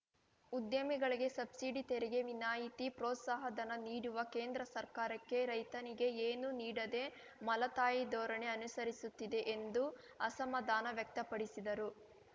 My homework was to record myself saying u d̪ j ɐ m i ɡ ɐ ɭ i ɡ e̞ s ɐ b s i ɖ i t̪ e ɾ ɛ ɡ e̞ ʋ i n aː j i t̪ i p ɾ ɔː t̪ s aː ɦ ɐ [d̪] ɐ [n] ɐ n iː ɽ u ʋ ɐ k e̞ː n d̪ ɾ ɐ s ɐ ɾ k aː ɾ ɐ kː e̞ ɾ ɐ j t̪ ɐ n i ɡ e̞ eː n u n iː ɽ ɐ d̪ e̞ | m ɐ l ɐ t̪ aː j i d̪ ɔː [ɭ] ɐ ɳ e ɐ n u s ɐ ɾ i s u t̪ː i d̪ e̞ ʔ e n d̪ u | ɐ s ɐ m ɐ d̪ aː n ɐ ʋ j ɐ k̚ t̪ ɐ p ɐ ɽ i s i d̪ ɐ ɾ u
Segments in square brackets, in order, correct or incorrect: correct, correct, incorrect: ɾ

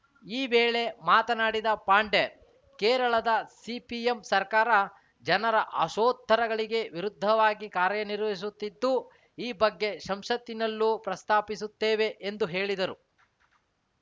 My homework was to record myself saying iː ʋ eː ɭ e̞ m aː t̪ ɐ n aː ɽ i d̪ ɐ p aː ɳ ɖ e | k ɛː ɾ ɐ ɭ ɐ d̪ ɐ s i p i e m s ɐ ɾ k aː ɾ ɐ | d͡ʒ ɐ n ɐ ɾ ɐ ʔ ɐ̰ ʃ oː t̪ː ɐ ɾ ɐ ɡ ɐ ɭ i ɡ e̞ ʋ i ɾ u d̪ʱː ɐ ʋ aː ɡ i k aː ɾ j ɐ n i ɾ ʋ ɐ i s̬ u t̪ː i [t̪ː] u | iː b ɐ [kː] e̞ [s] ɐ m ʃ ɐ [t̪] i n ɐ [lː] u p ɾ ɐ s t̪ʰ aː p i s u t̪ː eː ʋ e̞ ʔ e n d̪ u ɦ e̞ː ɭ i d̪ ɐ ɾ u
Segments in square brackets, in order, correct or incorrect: incorrect: d̪ː, incorrect: ɡː, incorrect: ʃ, correct, correct

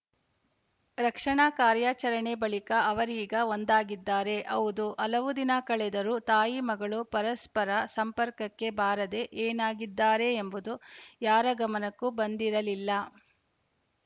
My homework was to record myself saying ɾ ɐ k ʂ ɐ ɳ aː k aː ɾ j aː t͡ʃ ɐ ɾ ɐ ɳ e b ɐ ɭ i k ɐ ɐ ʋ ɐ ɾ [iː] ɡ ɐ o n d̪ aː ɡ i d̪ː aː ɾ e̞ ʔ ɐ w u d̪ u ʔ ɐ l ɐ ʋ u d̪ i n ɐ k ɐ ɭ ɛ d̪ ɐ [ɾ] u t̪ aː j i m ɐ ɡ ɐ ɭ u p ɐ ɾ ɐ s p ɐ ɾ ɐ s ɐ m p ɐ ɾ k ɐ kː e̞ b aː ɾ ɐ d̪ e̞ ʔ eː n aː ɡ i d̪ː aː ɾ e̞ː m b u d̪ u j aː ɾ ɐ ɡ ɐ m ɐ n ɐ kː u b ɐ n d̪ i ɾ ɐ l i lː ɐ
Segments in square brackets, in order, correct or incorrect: correct, correct

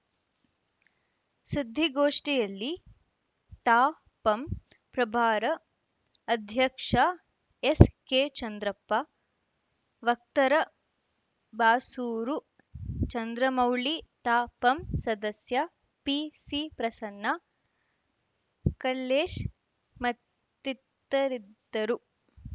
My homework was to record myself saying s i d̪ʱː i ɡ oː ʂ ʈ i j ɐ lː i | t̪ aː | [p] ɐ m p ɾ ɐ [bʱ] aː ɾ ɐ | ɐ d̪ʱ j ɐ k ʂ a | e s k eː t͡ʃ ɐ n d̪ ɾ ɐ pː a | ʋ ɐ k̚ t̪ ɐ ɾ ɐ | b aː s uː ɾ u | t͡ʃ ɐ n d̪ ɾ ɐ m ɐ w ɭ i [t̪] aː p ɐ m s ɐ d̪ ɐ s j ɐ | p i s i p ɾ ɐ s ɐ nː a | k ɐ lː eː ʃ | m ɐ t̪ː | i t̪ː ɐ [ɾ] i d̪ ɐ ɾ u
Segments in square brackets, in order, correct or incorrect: correct, correct, correct, correct

